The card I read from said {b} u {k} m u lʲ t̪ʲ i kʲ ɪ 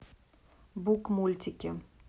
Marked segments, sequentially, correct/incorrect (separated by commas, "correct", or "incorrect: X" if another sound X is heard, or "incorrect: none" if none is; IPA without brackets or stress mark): correct, correct